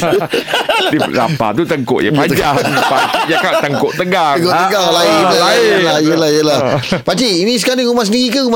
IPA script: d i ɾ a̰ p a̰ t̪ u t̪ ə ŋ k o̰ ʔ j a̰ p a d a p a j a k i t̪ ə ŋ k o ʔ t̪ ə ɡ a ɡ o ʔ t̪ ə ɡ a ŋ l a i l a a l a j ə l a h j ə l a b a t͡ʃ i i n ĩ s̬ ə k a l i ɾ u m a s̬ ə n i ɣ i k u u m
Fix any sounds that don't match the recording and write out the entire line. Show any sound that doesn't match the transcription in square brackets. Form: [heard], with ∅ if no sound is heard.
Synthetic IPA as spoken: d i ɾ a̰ p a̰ t̪ u t̪ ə ŋ k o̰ ʔ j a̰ p a [d͡ʒ] a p a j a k [a] t̪ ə ŋ k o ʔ t̪ ə ɡ a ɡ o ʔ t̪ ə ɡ a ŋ l a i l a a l a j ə l a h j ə l a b a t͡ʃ i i n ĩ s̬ ə k a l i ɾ u m a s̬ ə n i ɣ i k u u m